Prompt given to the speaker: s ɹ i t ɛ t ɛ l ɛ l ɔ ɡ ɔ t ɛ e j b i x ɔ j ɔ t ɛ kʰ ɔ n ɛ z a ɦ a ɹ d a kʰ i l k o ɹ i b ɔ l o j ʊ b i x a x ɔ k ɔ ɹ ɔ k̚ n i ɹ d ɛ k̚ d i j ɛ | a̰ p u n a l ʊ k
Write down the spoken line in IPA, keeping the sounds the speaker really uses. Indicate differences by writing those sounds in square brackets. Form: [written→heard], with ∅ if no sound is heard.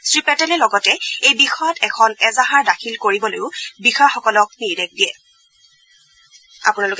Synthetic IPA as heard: s ɹ i [t→p] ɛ t ɛ l ɛ l ɔ ɡ ɔ t ɛ e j b i x ɔ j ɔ t ɛ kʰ ɔ n ɛ z a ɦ a ɹ d a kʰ i l k o ɹ i b ɔ l o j ʊ b i x a x ɔ k ɔ [ɹ→l] ɔ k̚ n i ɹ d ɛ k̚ d i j ɛ | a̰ p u n a l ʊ k